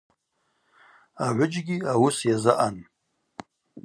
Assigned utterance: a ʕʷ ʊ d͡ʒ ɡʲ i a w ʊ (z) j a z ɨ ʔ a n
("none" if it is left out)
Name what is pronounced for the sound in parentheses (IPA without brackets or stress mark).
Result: s